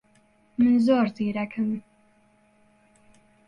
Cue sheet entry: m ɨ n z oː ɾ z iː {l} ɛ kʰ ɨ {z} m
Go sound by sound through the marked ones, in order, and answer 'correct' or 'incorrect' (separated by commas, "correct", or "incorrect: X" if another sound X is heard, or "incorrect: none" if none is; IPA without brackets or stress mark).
incorrect: ɾ, incorrect: none